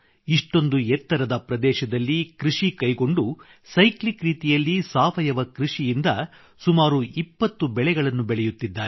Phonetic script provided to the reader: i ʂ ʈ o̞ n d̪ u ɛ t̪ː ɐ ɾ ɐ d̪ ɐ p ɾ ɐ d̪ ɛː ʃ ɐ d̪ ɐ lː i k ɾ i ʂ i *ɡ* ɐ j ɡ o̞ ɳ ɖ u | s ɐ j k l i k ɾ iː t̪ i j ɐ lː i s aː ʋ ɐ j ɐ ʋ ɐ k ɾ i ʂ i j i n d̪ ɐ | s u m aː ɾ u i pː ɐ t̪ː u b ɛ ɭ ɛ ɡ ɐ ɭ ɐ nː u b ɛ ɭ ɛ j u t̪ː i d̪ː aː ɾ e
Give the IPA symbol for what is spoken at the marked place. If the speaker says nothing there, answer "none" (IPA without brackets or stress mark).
k